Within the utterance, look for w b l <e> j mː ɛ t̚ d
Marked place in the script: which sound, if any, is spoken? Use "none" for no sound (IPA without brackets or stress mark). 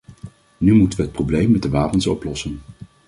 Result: e